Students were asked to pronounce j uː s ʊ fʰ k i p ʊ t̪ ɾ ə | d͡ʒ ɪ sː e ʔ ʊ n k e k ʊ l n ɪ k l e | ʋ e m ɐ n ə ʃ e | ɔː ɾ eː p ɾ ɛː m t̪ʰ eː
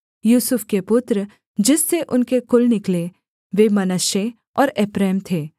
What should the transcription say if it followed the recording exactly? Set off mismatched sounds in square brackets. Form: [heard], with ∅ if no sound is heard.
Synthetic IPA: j uː s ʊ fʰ k [e] p ʊ t̪ ɾ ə | d͡ʒ ɪ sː e ʔ ʊ n k e k ʊ l n ɪ k l e | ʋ e m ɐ n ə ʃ e | ɔː ɾ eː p ɾ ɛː m t̪ʰ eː

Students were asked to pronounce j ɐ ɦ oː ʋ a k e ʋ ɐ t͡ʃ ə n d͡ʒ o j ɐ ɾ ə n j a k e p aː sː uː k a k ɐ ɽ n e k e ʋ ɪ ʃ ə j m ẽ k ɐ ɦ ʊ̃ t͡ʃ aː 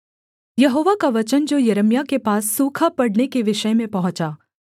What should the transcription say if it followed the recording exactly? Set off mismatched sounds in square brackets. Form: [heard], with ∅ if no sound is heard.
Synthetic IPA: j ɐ ɦ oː ʋ a k [a] ʋ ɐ t͡ʃ ə n d͡ʒ o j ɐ ɾ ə [m] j a k e p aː sː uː [kʰ] a [p] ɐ ɽ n e k e ʋ ɪ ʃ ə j m ẽ [p] ɐ ɦ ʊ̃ t͡ʃ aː

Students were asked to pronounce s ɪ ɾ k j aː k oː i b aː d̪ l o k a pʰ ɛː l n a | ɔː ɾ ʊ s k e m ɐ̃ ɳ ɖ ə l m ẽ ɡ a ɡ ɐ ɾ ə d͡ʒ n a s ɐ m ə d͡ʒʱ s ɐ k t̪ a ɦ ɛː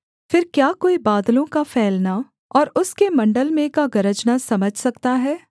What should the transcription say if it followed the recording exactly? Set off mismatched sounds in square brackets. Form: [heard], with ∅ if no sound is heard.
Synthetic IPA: [f] ɪ ɾ k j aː k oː i b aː d̪ l [õ] k a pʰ ɛː l n a | ɔː ɾ ʊ s k e m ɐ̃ ɳ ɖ ə l m ẽ [k] a ɡ ɐ ɾ ə d͡ʒ n a s ɐ m ə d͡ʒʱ s ɐ k t̪ a ɦ ɛː

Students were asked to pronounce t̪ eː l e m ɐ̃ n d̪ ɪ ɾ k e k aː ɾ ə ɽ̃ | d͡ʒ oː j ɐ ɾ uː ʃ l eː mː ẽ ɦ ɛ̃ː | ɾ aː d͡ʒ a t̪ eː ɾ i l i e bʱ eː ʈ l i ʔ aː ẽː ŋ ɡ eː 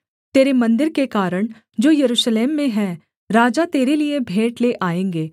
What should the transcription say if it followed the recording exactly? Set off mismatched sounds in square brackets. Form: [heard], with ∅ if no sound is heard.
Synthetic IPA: t̪ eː [ɾ] e m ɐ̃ n d̪ ɪ ɾ k e k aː ɾ ə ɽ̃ | d͡ʒ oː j ɐ ɾ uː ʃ l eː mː ẽ ɦ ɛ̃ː | ɾ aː d͡ʒ a t̪ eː ɾ [e] l i e bʱ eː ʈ l [e] ʔ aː ẽː ŋ ɡ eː

